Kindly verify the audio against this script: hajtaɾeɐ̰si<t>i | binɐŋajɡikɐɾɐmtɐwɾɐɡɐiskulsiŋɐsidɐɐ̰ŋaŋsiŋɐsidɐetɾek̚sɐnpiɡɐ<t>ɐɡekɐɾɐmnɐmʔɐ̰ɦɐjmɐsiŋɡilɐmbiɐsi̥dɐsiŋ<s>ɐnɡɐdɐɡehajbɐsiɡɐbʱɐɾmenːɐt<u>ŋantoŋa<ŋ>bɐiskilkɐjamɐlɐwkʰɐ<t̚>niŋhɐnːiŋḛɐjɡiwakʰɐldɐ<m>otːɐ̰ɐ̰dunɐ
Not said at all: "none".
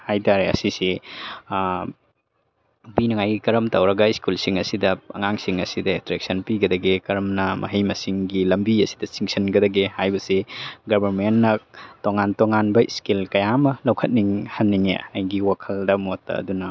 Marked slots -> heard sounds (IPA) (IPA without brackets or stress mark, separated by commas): s, d, s, o, n, t̚, m